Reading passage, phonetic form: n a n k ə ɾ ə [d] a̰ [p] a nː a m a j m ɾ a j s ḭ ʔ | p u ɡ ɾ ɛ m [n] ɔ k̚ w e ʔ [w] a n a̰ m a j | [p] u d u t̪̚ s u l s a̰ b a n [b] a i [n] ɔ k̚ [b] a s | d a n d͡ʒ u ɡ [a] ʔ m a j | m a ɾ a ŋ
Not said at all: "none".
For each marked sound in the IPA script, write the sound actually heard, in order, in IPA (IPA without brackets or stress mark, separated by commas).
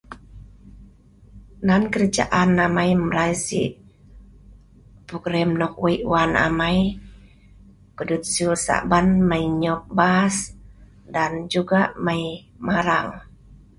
d͡ʒ, ʔ, n, w, k, m, ɲ, b, a